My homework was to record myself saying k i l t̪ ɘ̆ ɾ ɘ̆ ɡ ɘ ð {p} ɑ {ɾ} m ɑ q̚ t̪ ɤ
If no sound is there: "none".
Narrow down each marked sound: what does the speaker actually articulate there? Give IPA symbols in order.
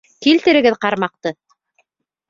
q, ɾ

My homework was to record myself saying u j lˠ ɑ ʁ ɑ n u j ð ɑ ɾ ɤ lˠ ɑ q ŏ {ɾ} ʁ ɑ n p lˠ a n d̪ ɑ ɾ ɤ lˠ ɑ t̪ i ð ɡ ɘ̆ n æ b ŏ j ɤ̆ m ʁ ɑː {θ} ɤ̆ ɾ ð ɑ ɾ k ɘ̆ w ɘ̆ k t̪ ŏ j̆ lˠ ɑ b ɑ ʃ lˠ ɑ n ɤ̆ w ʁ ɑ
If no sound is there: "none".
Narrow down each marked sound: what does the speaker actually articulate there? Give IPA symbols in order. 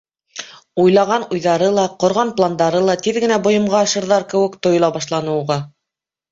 ɾ, ʃ

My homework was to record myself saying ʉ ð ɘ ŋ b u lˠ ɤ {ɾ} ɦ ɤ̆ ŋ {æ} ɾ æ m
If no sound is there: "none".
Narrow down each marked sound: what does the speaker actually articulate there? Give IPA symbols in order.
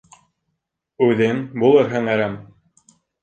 ɾ, æ

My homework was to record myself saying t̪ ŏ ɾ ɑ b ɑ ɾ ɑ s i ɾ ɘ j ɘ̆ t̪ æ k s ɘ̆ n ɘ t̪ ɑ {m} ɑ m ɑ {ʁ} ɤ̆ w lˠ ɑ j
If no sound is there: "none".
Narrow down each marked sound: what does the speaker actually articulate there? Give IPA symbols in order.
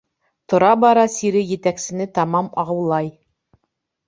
m, ʁ

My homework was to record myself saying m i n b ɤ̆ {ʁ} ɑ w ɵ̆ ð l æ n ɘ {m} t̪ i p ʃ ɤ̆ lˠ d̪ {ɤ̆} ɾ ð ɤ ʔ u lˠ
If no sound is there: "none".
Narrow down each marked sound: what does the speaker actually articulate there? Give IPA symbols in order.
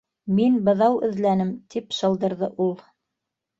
ð, m, ɤ̆

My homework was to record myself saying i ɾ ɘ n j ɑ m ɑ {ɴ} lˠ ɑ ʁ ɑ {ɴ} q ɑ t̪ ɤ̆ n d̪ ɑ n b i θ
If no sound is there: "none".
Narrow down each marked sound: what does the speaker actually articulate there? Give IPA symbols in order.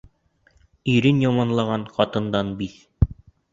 n, n

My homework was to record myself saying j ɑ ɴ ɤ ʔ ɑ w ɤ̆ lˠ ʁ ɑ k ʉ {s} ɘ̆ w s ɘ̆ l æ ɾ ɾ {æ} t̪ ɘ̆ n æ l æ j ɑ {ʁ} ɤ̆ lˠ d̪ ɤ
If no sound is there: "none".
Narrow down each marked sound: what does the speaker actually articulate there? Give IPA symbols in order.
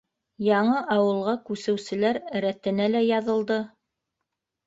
s, æ, ð

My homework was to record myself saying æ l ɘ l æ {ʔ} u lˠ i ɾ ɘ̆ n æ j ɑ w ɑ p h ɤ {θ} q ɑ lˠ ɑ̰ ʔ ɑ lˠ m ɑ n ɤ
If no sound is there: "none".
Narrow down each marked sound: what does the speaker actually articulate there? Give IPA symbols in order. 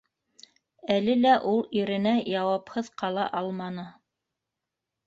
ʔ, ð

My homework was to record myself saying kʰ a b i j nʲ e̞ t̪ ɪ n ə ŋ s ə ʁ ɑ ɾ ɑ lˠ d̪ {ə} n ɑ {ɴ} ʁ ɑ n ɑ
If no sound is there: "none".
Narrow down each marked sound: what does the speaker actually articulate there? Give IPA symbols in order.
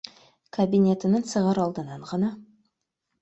ə, ɴ

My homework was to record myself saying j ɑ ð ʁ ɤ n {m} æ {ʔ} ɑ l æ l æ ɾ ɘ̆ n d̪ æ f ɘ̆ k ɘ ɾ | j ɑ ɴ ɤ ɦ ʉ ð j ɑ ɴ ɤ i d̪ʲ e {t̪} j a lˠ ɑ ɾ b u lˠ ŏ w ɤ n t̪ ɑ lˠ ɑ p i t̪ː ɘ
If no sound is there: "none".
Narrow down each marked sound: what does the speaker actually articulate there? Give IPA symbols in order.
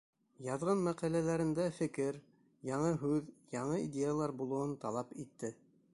m, q, none

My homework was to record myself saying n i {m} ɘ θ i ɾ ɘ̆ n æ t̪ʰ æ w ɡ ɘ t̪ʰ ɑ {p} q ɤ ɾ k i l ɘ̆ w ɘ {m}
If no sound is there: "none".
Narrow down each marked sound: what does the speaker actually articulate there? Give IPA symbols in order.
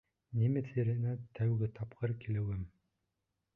m, p, m

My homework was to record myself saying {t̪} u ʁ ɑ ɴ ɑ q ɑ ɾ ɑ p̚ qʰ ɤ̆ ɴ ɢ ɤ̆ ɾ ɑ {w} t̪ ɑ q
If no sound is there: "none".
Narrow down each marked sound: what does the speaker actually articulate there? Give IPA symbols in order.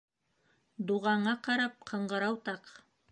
d̪, w

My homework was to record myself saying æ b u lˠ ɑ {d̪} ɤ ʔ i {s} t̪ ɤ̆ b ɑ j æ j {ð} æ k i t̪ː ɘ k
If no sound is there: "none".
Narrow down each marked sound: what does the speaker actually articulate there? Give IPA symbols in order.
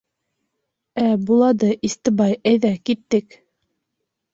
d̪, s, ð

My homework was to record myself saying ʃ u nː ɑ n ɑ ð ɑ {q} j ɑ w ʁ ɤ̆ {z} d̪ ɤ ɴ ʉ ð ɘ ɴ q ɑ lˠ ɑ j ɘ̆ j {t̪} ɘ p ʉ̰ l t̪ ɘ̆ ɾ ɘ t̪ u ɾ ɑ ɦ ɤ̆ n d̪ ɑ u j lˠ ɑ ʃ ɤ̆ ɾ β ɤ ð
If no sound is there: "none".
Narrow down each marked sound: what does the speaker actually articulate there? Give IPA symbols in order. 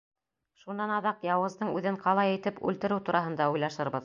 q, z, t̪

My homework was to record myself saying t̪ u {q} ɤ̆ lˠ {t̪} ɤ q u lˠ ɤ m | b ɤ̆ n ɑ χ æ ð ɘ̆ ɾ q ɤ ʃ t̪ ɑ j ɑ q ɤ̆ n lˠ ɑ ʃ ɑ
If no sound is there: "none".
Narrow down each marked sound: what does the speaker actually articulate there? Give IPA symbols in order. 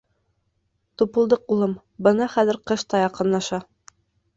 p, d̪

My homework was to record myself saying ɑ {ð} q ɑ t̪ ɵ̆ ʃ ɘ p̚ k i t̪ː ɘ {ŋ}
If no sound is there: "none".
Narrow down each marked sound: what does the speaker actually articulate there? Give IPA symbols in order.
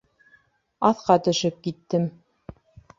θ, m

